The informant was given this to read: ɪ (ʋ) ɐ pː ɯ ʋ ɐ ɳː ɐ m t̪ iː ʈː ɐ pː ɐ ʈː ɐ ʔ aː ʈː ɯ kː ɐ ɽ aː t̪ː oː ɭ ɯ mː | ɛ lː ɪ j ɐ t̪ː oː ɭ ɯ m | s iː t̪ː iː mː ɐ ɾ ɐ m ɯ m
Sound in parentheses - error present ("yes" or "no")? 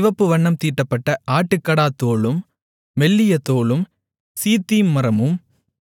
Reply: no